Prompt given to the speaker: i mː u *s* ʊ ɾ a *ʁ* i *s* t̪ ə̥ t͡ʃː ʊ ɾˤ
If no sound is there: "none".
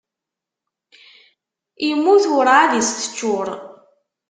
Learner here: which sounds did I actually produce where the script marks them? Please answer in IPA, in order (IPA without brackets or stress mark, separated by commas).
θ, ð, s